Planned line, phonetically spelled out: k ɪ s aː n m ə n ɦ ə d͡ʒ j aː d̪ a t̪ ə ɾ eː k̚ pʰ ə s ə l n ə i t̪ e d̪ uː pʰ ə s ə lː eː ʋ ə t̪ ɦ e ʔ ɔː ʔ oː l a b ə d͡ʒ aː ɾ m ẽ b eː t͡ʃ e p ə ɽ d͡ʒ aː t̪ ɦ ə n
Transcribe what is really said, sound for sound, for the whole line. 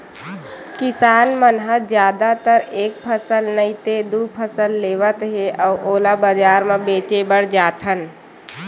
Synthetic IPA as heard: k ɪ s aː n m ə n ɦ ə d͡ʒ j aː d̪ a t̪ ə ɾ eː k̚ pʰ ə s ə l n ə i t̪ e d̪ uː pʰ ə s ə lː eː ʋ ə t̪ ɦ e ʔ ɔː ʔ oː l a b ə d͡ʒ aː ɾ m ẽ b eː t͡ʃ e b ə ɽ d͡ʒ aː t̪ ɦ ə n